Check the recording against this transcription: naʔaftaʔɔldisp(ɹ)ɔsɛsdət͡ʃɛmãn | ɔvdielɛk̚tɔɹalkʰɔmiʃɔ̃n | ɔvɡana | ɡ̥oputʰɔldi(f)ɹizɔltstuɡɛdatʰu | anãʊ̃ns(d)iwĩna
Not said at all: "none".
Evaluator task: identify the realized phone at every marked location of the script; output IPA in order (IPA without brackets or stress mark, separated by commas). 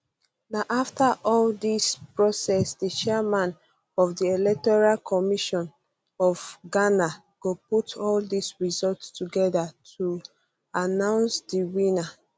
ɹ, s, d